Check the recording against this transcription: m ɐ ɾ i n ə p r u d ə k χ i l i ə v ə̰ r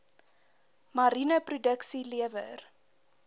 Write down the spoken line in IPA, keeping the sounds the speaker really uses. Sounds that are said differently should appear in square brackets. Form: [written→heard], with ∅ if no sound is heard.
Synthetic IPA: m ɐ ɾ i n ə p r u d ə k [χ→s] i l i ə v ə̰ r